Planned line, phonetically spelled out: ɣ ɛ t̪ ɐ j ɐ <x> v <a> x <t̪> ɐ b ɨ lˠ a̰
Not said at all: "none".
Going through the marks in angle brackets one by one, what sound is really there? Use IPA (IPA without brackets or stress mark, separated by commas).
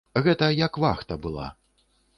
k, a, t̪